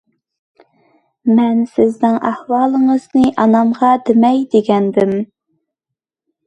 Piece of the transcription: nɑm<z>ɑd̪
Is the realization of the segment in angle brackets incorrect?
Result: yes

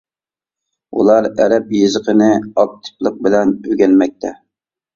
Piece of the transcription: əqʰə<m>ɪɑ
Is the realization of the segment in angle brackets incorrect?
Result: yes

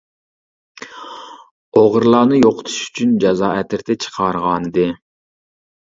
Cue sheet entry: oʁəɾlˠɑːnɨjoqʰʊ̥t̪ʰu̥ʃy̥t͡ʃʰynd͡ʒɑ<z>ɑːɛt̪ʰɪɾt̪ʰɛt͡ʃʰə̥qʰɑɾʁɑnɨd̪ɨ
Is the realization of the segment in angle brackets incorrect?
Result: no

